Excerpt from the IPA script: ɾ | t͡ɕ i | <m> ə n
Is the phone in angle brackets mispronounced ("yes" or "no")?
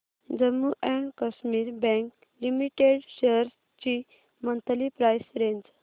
no